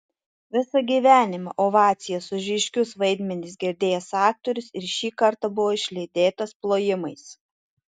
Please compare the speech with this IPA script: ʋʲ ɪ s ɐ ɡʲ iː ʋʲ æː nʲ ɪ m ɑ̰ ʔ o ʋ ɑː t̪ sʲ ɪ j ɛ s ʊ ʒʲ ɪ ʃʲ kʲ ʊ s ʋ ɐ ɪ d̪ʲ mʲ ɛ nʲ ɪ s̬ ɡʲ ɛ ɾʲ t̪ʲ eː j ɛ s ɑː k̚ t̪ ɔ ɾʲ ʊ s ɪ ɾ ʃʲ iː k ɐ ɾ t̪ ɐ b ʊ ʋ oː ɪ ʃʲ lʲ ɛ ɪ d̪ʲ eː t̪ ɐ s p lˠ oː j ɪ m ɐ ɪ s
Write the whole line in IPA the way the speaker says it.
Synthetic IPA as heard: ʋʲ ɪ s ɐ ɡʲ iː ʋʲ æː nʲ ɪ m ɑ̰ ʔ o ʋ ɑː t̪ sʲ ɪ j ɛ s ʊ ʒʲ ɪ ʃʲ kʲ ʊ s ʋ ɐ ɪ d̪ʲ mʲ ɛ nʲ ɪ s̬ ɡʲ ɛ ɾʲ d̪ʲ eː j ɛ s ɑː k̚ t̪ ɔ ɾʲ ʊ s ɪ ɾ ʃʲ iː k ɐ ɾ t̪ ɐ b ʊ ʋ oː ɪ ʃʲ lʲ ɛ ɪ d̪ʲ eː t̪ ɐ s p lˠ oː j ɪ m ɐ ɪ s